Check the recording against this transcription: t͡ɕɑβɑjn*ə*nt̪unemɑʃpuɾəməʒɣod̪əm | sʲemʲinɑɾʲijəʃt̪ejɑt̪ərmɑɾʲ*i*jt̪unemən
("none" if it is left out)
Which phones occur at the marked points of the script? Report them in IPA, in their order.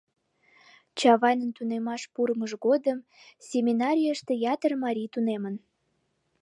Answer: ə, i

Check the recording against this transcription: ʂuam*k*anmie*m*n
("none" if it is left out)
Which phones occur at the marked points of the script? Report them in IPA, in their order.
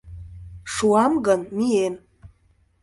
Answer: ɡ, none

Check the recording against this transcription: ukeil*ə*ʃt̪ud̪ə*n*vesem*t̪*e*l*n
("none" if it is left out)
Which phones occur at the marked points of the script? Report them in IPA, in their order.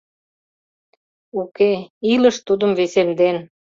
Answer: ə, m, d̪, none

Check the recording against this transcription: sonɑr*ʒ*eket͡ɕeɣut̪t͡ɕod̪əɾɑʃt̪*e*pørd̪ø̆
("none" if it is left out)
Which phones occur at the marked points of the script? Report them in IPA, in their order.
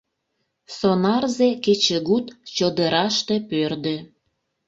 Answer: z, e

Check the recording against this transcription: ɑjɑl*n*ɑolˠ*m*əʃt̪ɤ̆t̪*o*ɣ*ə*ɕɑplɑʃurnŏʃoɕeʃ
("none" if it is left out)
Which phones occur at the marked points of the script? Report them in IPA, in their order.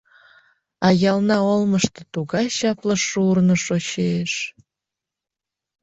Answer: n, m, u, ɑ

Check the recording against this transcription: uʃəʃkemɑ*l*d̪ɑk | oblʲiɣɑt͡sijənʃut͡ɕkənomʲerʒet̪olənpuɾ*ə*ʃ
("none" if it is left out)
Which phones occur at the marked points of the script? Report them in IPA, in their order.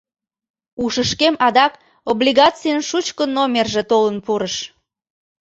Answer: none, ə

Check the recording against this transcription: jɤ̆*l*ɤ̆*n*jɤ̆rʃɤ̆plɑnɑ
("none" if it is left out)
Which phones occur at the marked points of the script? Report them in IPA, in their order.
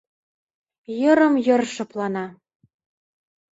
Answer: ɾ, m

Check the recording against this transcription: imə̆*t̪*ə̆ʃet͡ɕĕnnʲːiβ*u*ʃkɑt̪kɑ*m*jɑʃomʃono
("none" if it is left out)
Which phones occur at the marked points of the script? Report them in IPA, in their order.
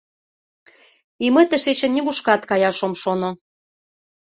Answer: t̪, u, none

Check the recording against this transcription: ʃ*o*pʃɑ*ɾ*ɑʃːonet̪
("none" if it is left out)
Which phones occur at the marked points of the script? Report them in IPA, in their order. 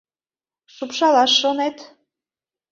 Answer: u, l

